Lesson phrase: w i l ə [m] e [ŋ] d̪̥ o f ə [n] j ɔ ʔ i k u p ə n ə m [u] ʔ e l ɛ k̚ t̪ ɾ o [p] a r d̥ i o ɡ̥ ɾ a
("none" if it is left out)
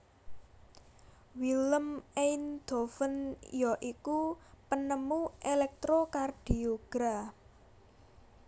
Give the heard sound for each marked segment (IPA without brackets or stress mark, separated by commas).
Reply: m, n, n, u, k